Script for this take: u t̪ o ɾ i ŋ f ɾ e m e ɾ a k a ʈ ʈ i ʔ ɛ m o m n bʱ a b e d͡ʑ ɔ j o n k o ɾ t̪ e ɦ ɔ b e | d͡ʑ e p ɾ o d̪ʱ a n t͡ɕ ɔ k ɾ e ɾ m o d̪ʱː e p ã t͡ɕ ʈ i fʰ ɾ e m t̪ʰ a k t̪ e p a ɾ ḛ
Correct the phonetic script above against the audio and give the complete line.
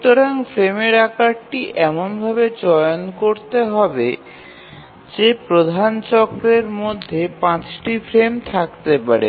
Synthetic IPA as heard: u t̪ o ɾ a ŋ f ɾ e m e ɾ a k a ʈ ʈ i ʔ ɛ m o n bʱ a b e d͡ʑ ɔ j o n k o ɾ t̪ e ɦ ɔ b e | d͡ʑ e p ɾ o d̪ʱ a n t͡ɕ ɔ k ɾ e ɾ m o d̪ʱː e p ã t͡ɕ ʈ i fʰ ɾ e m t̪ʰ a k t̪ e p a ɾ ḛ